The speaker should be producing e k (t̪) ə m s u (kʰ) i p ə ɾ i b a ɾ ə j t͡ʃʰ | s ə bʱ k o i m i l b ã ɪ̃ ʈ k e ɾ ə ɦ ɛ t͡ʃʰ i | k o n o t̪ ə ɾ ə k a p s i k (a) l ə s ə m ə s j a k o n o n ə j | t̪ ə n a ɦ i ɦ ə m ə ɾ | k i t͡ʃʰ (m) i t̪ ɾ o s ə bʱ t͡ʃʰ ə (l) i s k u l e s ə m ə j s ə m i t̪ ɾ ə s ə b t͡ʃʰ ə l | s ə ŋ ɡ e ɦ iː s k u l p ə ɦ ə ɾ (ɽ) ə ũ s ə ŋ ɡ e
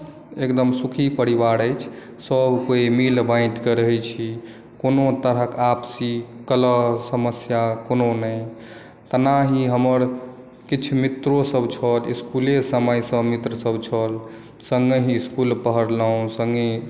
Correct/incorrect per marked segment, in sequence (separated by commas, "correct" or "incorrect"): incorrect, correct, incorrect, correct, correct, incorrect